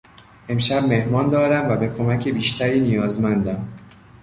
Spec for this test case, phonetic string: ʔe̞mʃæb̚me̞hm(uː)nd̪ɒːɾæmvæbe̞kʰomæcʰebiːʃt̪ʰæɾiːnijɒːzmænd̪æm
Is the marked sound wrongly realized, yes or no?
yes